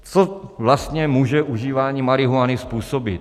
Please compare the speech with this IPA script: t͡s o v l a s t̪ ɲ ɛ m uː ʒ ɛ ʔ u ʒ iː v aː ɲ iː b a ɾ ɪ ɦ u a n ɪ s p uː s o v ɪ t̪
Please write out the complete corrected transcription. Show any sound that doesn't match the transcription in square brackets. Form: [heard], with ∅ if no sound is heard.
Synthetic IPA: t͡s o v l a s t̪ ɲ ɛ m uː ʒ ɛ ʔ u ʒ iː v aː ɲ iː [m] a ɾ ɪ ɦ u a n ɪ s p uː s o [b] ɪ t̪